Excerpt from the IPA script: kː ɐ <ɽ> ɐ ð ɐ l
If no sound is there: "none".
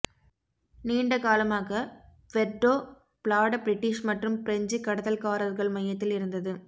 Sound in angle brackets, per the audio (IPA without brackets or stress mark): ɽ